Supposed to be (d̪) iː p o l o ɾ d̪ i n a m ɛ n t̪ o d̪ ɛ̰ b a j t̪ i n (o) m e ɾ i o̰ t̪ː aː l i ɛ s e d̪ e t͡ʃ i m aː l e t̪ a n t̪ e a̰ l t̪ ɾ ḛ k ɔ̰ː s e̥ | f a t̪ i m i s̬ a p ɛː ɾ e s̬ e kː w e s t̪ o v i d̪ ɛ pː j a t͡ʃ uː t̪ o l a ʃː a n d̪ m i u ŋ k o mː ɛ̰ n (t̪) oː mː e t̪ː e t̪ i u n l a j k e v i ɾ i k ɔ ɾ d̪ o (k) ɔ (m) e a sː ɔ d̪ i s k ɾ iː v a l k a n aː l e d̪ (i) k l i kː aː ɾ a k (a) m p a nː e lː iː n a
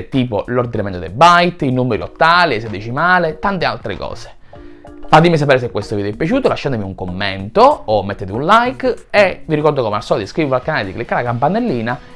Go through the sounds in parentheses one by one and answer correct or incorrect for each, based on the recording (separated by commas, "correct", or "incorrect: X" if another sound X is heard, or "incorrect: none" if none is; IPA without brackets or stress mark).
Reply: incorrect: t̪, incorrect: u, correct, correct, correct, correct, correct